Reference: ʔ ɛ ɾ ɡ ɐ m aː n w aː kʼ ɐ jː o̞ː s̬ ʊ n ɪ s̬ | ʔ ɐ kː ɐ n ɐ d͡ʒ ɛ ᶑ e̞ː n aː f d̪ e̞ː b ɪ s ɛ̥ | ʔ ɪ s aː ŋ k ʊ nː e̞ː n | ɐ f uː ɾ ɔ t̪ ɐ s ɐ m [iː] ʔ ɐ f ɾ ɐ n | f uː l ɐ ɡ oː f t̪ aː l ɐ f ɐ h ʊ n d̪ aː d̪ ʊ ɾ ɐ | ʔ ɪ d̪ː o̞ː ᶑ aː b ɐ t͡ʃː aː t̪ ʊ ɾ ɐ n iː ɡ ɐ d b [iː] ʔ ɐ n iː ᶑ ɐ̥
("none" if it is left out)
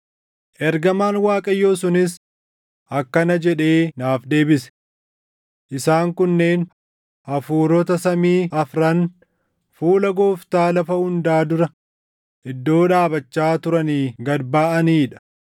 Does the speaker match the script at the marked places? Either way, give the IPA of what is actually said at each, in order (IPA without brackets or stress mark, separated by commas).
iː, aː